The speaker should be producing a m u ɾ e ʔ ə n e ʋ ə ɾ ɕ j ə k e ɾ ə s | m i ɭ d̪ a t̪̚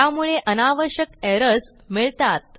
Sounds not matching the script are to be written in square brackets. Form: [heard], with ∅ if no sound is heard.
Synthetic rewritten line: a m u [ɭ] e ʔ ə n [a] ʋ ə ɾ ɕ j ə k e ɾ ə s | m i ɭ [t̪] a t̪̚